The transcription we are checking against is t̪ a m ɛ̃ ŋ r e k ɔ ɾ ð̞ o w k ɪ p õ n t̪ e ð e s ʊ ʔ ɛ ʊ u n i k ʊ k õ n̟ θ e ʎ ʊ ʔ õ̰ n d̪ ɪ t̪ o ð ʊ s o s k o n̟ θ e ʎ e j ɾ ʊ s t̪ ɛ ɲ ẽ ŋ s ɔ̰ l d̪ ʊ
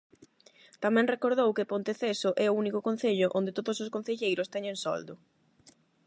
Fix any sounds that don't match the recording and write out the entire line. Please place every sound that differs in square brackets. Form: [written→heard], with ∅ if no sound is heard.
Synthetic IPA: t̪ a m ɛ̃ ŋ r e k [ɔ→o] ɾ ð̞ o w k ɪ p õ n t̪ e [ð→θ] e s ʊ ʔ ɛ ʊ u n i k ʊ k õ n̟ θ e ʎ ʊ ʔ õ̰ n d̪ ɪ t̪ o ð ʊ s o s k o n̟ θ e ʎ e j ɾ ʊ s t̪ ɛ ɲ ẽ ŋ s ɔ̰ l d̪ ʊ